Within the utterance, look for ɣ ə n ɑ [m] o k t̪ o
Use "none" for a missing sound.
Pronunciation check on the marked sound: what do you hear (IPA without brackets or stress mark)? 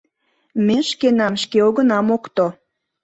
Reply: m